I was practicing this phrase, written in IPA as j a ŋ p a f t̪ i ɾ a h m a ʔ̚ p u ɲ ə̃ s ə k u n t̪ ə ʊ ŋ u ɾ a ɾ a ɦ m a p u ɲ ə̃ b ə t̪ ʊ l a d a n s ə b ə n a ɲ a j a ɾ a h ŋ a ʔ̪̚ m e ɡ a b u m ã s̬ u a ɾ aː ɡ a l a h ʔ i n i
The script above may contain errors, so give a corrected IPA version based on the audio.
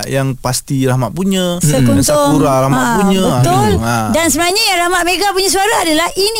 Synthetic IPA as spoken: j a ŋ p a s t̪ i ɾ a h m a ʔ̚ p u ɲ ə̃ s ə k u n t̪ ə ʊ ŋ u ɾ a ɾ a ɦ m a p u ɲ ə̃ b ə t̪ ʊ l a d a n s ə b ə n a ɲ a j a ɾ a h m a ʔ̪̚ m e ɡ a p u ɲ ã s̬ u a ɾ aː d a l a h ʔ i n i